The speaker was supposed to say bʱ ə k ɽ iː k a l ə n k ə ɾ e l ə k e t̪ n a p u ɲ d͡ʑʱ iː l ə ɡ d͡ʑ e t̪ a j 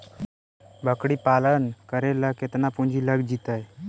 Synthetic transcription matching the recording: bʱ ə k ɽ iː p a l ə n k ə ɾ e l ə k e t̪ n a p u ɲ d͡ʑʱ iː l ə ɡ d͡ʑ i t̪ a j